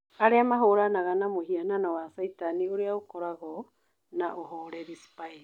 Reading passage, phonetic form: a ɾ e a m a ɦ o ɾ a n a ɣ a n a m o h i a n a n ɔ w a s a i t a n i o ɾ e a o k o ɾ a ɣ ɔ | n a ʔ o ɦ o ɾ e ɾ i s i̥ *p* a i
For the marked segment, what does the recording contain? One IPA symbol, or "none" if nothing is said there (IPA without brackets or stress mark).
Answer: p